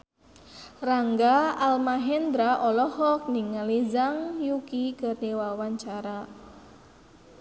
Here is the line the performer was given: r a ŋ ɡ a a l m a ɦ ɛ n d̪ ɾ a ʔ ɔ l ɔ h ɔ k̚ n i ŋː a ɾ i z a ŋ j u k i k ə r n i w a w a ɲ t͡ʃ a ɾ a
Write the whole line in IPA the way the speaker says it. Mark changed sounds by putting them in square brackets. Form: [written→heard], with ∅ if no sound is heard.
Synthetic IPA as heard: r a ŋ ɡ a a l m a ɦ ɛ n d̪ ɾ a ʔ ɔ l ɔ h ɔ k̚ n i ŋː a [ɾ→l] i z a ŋ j u k i k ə r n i w a w a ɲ t͡ʃ a ɾ a